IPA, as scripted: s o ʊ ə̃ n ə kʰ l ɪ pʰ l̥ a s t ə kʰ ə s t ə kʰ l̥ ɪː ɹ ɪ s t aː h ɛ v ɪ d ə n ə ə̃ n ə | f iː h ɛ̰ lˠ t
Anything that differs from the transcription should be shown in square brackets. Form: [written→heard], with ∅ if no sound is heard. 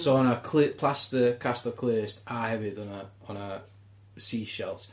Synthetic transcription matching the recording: s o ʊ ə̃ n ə kʰ l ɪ pʰ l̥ a s t ə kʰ [ə→a] s t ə kʰ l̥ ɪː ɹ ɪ s t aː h ɛ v ɪ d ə n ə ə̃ n ə | [f→s] iː [h→ʃ] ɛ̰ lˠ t

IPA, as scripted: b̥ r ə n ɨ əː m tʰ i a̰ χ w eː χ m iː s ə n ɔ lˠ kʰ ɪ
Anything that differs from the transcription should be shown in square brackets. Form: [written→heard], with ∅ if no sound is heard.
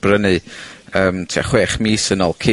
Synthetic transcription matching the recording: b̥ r ə n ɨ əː m tʰ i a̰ χ w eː χ m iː s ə n ɔ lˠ kʰ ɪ

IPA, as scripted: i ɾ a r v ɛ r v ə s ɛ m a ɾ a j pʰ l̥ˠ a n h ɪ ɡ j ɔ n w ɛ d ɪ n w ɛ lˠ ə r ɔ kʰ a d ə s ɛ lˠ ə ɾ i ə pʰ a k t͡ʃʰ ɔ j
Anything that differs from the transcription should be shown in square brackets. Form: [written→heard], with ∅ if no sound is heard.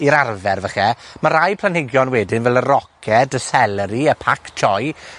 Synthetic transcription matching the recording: i ɾ a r v ɛ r v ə [s→χ] ɛ m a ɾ a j pʰ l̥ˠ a n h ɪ ɡ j ɔ n w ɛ d ɪ n [w→v] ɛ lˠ ə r ɔ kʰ [a→ɛ] d ə s ɛ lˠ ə ɾ i ə pʰ a k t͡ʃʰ ɔ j

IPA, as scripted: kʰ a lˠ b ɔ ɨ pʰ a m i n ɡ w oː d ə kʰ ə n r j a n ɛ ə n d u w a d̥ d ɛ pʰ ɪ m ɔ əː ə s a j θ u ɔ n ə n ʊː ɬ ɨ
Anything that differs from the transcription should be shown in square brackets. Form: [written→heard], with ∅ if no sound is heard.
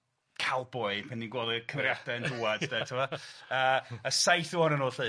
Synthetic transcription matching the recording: kʰ a lˠ b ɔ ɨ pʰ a [m→n] i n ɡ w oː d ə kʰ ə [n→m] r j a [n→d] ɛ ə n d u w a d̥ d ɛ [pʰ→tʰ] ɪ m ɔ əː ə s a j θ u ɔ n ə n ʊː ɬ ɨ

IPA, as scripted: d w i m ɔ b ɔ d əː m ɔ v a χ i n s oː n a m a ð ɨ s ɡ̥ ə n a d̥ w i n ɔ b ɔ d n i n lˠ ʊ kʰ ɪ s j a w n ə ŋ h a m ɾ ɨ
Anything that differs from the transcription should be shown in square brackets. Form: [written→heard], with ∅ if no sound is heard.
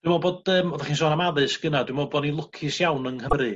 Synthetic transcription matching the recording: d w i m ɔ b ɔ d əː m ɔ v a χ i n s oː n a m a ð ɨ s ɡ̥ ə n a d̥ w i [n→m] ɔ b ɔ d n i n lˠ ʊ kʰ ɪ s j a w n ə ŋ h [a→ə] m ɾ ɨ

